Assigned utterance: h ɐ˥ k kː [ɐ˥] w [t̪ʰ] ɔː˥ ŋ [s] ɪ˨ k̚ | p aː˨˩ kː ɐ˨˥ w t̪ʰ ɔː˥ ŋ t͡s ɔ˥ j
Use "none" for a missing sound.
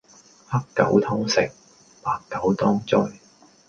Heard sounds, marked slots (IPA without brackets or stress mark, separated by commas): ɐ˨˥, t̪ʰ, s